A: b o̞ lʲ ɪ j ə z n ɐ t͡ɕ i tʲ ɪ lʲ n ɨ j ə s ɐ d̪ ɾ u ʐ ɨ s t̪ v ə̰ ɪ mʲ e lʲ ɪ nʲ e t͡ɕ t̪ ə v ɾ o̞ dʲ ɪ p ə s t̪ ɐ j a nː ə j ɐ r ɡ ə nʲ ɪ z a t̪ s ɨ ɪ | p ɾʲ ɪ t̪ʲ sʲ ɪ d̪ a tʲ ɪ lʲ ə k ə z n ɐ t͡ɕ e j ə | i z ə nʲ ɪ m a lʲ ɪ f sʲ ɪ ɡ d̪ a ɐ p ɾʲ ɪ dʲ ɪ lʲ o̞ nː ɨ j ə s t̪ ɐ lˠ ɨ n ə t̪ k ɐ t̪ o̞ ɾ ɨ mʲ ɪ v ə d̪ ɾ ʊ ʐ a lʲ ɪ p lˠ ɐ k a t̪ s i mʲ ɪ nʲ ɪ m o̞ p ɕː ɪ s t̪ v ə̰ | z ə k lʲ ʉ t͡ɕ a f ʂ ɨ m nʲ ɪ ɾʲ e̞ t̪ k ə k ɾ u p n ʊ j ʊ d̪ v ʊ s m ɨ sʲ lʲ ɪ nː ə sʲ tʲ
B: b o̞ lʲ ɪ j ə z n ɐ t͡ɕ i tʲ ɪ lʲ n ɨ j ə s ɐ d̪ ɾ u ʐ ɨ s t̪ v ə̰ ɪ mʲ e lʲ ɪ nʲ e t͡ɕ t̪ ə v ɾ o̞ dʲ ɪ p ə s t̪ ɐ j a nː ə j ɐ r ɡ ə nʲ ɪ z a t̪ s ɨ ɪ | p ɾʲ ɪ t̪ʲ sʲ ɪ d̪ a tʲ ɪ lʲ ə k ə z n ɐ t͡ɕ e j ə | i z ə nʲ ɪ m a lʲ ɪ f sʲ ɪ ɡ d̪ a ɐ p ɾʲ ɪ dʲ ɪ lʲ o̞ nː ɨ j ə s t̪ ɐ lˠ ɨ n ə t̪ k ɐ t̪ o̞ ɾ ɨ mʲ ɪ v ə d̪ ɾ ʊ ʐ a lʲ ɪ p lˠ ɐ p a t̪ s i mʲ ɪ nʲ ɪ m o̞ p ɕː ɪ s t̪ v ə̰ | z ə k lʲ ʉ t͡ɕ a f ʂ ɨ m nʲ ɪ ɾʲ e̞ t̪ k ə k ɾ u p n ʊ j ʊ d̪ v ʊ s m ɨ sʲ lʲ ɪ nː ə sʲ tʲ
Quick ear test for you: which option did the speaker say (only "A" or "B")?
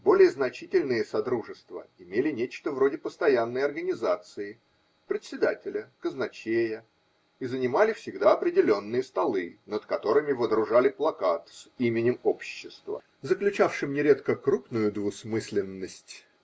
A